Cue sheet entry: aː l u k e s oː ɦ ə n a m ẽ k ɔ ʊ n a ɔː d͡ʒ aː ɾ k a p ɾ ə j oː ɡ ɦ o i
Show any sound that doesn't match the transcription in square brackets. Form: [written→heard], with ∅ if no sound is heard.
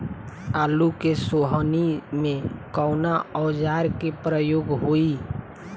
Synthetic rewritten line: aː l u k e s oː ɦ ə n [a→i] m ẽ k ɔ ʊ n a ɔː d͡ʒ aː ɾ k [a→e] p ɾ ə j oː ɡ ɦ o i